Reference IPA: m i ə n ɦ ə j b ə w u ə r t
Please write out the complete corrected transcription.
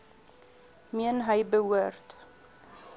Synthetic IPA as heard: m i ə n ɦ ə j b ə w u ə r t